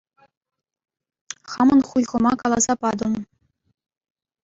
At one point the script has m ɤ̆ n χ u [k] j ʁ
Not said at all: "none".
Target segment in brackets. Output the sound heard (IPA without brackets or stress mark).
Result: none